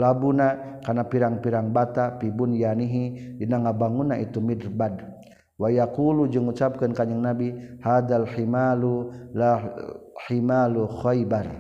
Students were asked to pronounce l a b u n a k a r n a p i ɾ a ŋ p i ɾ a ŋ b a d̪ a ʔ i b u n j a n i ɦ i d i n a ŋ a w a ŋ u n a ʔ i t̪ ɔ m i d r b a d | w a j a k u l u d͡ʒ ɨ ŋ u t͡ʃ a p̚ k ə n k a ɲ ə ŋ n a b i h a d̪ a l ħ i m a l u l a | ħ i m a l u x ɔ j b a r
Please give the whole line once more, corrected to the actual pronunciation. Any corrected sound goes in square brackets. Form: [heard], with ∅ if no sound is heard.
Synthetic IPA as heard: l a b u n a k a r n a p i ɾ a ŋ p i ɾ a ŋ b a [t̪] a [p] i b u n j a n i ɦ i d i n a ŋ a [b] a ŋ u n a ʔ i t̪ [u] m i d r b a d | w a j a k u l u d͡ʒ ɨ ŋ u t͡ʃ a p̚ k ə n k a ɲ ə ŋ n a b i h a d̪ a l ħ i m a l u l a | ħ i m a l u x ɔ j b a r